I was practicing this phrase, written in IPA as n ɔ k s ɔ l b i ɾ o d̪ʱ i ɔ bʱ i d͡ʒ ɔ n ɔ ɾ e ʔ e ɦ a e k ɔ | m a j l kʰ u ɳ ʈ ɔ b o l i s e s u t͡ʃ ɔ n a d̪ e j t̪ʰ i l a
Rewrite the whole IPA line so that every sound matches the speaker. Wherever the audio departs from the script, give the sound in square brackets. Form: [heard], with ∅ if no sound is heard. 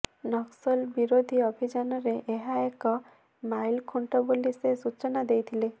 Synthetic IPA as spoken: n ɔ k s ɔ l b i ɾ o d̪ʱ i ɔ bʱ i d͡ʒ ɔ n ɔ ɾ e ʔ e ɦ a e k ɔ | m a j l kʰ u ɳ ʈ ɔ b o l i s e s u t͡ʃ ɔ n a d̪ e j t̪ʰ i l [e]